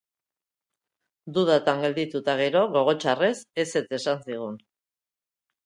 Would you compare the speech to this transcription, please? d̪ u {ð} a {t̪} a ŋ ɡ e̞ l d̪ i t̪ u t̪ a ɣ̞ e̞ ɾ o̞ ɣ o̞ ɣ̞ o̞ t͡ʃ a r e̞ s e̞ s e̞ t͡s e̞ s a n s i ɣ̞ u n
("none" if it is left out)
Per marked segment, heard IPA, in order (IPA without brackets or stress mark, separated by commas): ð, t̪